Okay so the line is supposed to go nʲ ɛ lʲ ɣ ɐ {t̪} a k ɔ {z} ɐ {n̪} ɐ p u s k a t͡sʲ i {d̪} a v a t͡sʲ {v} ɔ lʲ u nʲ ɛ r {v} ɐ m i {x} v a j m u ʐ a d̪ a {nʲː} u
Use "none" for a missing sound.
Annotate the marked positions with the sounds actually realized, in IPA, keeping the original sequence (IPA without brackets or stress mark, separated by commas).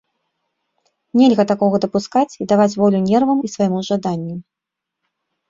t̪, ɣ, d̪, d̪, v, v, s, nʲː